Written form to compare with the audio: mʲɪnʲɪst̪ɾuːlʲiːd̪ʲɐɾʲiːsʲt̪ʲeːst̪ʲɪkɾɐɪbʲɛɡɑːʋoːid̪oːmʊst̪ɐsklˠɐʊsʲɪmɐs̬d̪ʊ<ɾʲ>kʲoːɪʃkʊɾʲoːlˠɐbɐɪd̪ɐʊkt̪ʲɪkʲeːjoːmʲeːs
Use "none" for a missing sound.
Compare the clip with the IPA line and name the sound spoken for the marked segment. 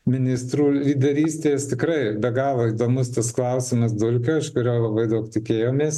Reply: lʲ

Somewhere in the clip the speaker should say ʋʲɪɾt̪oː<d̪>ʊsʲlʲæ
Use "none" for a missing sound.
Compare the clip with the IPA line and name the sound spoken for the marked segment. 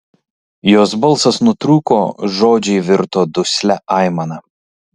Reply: d̪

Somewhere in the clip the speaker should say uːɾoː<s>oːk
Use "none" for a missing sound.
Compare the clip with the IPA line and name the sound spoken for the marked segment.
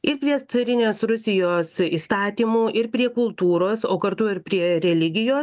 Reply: s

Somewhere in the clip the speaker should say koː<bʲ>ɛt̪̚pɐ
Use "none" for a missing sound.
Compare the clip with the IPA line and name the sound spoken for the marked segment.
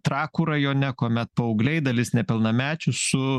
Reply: mʲ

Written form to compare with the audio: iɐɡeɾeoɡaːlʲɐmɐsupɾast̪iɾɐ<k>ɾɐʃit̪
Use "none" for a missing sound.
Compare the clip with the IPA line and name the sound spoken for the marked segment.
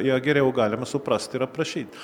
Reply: p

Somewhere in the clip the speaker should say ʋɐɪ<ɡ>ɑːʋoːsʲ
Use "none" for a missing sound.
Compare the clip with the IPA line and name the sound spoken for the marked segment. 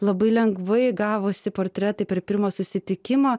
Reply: ɡ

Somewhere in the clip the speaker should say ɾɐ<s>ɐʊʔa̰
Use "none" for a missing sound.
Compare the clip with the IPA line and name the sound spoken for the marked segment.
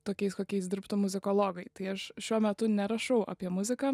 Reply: ʃ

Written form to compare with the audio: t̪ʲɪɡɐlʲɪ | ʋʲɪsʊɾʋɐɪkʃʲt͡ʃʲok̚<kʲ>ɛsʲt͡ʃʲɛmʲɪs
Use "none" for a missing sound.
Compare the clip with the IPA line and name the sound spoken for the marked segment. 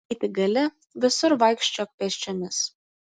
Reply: pʲ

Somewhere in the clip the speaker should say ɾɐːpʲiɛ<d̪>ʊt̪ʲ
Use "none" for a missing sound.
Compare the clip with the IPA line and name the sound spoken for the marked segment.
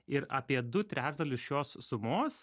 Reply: d̪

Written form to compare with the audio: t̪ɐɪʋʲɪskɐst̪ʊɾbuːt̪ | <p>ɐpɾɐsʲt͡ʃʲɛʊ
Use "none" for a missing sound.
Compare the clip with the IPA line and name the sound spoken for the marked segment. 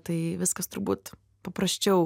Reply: p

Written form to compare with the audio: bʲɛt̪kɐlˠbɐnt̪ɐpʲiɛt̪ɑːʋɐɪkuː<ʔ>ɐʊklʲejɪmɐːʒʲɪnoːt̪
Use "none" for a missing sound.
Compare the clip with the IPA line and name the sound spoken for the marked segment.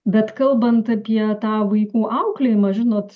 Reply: ʔ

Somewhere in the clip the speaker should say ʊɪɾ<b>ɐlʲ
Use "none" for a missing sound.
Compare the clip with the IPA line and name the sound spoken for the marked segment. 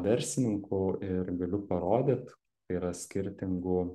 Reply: ɡ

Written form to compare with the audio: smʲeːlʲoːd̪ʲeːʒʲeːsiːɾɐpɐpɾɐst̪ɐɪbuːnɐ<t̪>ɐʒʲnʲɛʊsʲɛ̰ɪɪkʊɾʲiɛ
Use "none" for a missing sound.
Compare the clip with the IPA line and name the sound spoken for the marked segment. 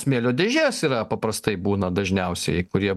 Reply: d̪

